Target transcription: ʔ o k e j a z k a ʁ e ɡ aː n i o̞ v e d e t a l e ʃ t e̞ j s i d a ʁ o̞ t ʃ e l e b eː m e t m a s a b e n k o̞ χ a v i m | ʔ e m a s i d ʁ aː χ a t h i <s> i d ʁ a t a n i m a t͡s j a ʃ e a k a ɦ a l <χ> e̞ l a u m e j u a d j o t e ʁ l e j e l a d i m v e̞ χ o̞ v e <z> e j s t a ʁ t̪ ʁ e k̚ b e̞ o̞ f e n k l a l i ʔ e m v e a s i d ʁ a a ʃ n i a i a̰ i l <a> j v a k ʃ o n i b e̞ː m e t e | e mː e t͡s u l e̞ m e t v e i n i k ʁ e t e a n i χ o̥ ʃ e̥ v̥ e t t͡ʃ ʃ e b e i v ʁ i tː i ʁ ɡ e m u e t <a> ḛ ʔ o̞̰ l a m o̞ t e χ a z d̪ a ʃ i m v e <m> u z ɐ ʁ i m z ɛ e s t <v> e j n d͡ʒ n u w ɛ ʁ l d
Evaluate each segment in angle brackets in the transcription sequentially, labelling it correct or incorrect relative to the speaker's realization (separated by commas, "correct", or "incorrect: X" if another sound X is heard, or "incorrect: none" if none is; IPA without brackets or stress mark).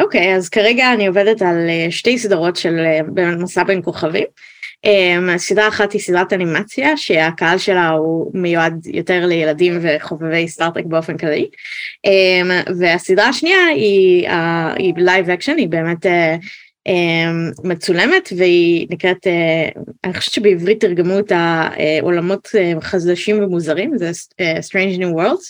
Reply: correct, incorrect: ʃ, incorrect: v, correct, correct, correct, incorrect: ʁ